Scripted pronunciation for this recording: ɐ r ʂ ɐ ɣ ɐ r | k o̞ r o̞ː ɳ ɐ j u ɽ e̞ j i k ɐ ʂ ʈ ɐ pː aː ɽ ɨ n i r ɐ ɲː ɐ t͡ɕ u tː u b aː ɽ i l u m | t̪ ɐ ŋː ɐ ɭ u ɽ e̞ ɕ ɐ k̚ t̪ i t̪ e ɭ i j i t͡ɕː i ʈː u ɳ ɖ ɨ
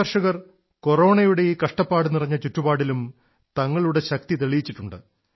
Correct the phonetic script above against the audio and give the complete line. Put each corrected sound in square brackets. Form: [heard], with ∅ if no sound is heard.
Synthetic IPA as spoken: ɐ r ʂ ɐ ɣ ɐ r | k o̞ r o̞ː ɳ ɐ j u ɽ e̞ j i k ɐ ʂ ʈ ɐ pː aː ɽ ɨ n i r ɐ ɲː ɐ t͡ɕ u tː u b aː ɽ i l u m | t̪ ɐ ŋː ɐ ɭ u ɽ e̞ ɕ ɐ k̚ t̪ i t̪ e ɭ i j i t͡ɕː i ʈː u ɳ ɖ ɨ